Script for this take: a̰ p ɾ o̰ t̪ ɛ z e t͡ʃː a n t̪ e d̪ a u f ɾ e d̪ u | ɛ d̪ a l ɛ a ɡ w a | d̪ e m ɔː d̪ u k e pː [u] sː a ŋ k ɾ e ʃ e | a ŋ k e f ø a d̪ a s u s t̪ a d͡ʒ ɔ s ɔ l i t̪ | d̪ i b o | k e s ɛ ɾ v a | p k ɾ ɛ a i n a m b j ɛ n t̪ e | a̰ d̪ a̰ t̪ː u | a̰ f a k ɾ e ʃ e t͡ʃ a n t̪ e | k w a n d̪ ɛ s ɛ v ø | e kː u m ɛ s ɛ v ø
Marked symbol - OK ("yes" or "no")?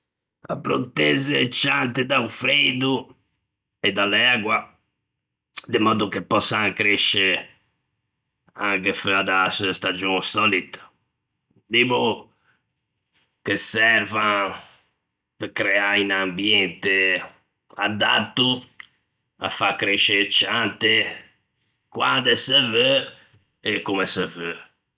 no